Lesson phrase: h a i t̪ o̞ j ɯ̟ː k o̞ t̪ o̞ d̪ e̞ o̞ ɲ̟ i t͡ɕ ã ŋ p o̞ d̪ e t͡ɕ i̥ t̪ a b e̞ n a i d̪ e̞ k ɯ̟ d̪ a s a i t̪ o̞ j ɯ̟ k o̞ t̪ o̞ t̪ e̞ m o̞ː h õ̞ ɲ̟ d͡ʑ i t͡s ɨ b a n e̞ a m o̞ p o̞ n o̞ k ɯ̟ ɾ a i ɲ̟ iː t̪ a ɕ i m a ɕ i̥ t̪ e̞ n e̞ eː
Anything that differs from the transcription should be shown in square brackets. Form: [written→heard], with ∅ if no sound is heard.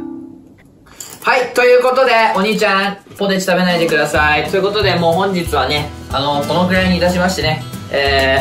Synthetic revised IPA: h a i t̪ o̞ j ɯ̟ː k o̞ t̪ o̞ d̪ e̞ o̞ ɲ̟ i t͡ɕ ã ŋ p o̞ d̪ e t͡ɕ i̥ t̪ a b e̞ n a i d̪ e̞ k ɯ̟ d̪ a s a i t̪ o̞ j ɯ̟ k o̞ t̪ o̞ [t̪→d̪] e̞ m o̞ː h õ̞ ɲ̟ d͡ʑ i t͡s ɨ [b→β] a n e̞ a [m→n] o̞ [p→k] o̞ n o̞ k ɯ̟ ɾ a i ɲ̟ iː t̪ a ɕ i m a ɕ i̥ t̪ e̞ n e̞ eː